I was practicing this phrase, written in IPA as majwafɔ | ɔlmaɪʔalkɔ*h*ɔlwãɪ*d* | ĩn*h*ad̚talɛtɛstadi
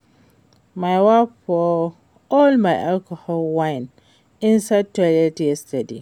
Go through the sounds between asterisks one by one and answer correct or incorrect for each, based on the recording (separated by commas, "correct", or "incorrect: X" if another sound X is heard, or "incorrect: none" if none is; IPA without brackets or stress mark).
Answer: correct, incorrect: n, incorrect: s